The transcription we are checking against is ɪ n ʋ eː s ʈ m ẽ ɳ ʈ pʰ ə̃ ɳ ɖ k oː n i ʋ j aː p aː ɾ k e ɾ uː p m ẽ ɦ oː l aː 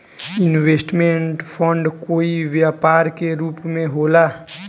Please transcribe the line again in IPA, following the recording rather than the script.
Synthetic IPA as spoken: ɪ n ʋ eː s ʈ m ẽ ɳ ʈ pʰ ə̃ ɳ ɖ k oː i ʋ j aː p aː ɾ k e ɾ uː p m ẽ ɦ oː l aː